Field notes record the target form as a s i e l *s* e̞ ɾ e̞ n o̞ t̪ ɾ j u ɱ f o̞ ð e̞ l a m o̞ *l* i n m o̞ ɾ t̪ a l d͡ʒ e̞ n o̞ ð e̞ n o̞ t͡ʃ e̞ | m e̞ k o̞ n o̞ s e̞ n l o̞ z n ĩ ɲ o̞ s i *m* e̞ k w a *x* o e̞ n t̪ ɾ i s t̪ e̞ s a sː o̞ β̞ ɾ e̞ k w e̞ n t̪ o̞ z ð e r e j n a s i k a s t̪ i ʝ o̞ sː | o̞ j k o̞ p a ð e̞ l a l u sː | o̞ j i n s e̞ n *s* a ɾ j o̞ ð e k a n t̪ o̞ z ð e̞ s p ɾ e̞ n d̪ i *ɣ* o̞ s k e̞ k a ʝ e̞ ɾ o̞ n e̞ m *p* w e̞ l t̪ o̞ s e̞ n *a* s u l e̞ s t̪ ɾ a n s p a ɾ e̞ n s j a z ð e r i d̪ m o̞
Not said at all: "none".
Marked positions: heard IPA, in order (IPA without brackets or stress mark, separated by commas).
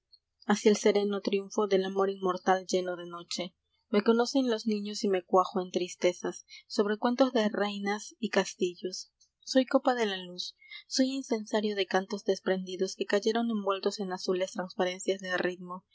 s, ɾ, m, x, s, ð, b, a